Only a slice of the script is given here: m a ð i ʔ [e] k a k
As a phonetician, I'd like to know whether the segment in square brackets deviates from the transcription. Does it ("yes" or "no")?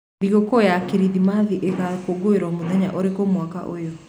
no